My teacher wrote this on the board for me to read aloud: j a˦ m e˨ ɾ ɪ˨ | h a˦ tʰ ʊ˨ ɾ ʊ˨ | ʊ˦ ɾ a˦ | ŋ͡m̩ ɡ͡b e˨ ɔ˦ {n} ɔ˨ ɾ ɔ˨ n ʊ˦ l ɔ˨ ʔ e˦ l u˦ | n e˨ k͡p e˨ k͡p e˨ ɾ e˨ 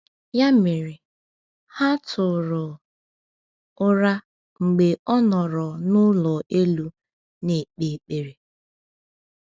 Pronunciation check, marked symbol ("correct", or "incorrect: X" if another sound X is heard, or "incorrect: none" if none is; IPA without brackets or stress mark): correct